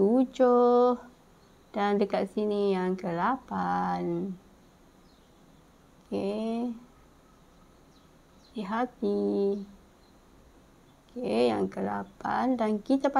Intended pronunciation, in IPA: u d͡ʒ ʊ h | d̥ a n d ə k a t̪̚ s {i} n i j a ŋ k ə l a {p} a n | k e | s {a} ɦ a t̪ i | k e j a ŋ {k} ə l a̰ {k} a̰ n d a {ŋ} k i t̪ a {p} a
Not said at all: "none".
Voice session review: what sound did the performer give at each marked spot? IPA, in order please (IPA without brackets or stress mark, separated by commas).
i, p, i, k, p, n, p